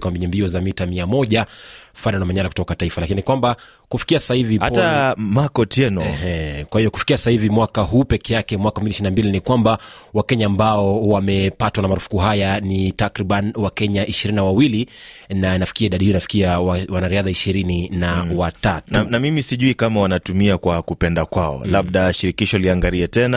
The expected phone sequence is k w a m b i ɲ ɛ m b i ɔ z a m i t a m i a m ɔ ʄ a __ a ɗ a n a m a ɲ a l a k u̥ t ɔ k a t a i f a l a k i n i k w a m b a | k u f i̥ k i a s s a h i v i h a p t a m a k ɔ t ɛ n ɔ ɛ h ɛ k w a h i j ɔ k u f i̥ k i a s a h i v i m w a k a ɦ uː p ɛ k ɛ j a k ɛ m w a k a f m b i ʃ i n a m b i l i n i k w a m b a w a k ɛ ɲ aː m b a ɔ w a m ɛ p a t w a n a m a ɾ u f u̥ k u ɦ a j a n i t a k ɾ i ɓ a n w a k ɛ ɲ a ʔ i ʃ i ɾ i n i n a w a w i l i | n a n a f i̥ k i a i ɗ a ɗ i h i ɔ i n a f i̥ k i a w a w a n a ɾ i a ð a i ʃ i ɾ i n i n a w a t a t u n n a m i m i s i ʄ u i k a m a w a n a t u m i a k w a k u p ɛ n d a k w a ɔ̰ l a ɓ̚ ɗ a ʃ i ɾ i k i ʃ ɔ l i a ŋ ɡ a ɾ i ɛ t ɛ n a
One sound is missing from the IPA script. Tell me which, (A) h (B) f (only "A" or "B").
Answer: B